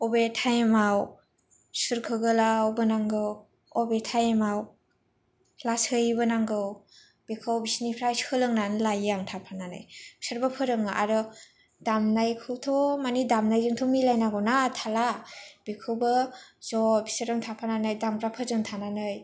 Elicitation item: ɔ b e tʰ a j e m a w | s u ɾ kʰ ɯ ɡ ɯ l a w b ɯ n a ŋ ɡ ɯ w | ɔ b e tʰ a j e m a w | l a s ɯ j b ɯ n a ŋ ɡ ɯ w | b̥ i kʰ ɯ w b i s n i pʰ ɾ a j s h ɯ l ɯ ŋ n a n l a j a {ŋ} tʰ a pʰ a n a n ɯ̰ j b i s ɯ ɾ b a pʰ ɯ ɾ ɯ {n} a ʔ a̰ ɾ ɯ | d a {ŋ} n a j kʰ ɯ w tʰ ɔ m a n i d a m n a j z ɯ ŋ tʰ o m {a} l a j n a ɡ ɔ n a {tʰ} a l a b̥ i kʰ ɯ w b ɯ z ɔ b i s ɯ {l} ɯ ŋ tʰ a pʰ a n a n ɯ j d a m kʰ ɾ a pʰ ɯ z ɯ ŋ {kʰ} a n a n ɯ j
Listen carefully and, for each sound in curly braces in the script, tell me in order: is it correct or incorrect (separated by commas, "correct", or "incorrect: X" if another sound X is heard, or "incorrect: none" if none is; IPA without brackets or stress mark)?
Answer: correct, incorrect: ŋ, incorrect: m, incorrect: i, correct, incorrect: ɾ, incorrect: tʰ